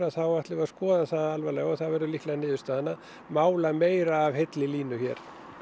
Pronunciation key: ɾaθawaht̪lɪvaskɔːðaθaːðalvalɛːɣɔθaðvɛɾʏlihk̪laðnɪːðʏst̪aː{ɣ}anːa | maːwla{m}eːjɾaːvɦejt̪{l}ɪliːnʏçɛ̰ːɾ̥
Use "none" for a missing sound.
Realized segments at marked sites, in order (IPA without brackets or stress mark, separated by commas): ð, m, l